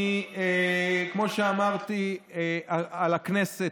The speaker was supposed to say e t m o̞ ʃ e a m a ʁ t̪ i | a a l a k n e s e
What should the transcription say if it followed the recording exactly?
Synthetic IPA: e k m o̞ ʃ e a m a ʁ t̪ i | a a l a k n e s e